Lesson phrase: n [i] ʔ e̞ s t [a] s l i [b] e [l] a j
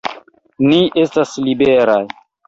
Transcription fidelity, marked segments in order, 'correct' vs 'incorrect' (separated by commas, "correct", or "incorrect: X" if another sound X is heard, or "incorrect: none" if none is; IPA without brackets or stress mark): correct, correct, correct, incorrect: ɾ